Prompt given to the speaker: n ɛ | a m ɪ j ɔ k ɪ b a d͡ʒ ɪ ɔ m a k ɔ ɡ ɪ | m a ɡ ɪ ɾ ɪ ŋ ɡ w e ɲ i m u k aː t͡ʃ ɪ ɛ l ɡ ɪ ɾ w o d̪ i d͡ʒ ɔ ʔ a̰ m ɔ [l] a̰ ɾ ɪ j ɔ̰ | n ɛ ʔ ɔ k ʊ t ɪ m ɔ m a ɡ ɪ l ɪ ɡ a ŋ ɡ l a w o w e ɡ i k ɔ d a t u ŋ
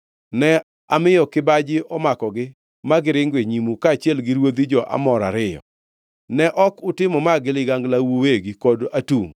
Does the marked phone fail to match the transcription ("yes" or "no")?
yes